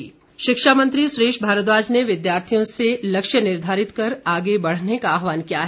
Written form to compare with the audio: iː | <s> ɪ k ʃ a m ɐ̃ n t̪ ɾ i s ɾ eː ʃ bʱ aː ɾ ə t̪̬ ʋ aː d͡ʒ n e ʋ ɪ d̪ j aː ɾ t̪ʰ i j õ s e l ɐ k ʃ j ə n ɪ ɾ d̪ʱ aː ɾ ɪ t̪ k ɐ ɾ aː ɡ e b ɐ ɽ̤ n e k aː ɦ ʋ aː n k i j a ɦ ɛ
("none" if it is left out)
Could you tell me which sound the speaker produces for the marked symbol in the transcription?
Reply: ʃ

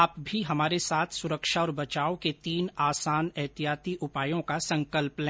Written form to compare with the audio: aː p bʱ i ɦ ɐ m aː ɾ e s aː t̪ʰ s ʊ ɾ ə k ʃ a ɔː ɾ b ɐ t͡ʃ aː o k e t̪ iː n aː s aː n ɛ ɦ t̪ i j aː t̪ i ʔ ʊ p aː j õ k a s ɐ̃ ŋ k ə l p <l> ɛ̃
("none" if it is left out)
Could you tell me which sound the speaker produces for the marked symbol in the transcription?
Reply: l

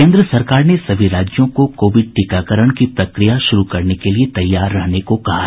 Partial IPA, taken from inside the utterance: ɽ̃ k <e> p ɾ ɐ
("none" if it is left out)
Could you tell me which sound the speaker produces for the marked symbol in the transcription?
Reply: i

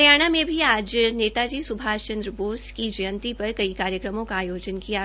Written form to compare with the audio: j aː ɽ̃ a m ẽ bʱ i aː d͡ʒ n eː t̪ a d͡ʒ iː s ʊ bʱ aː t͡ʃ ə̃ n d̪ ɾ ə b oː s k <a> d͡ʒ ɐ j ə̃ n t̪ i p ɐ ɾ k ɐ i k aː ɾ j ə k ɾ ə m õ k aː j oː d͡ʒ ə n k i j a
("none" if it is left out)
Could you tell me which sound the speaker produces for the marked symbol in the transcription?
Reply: i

